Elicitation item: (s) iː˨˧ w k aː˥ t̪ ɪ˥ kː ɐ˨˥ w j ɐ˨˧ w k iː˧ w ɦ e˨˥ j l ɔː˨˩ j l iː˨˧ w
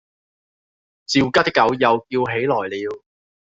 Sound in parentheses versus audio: incorrect: t͡s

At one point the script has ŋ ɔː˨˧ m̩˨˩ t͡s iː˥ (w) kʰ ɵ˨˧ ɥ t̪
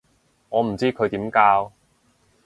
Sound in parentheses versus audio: incorrect: none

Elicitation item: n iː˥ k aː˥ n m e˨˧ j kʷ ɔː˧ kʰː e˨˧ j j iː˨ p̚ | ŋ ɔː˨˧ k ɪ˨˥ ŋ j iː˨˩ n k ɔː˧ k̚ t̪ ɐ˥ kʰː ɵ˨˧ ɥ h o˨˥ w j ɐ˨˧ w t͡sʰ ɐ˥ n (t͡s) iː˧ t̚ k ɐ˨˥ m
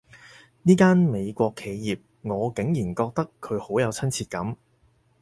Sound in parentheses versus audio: incorrect: t͡sʰ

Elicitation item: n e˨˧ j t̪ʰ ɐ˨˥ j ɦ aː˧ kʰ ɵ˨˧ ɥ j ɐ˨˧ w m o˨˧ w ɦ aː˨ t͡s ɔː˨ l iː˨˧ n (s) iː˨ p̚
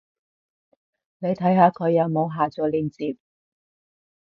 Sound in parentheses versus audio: incorrect: t͡s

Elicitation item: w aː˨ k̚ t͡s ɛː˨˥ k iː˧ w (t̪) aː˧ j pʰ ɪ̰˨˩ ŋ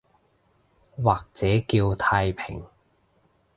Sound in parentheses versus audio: incorrect: t̪ʰ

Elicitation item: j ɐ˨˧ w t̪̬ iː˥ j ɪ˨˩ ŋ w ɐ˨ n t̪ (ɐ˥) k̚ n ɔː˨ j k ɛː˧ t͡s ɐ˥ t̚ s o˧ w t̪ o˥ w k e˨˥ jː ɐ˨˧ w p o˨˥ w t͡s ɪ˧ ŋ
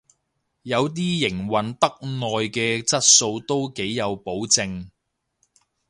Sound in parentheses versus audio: correct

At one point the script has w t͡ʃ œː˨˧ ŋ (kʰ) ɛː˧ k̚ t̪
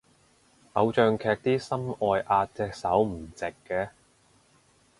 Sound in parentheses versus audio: correct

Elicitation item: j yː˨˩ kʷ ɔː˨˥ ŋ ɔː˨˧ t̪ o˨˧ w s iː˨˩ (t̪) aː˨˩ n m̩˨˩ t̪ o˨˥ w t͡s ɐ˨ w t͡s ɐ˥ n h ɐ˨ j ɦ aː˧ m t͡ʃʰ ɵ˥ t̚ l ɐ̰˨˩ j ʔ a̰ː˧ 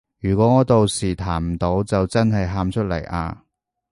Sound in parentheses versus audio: incorrect: t̪ʰ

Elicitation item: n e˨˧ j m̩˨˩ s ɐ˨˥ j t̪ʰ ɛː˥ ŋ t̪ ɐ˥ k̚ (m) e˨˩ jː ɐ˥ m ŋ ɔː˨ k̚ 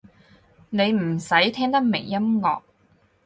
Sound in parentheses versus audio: correct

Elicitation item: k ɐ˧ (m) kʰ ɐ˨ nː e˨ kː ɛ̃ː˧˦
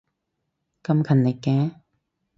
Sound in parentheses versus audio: correct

